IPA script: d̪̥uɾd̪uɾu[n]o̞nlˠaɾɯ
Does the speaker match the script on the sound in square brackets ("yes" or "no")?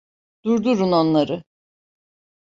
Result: yes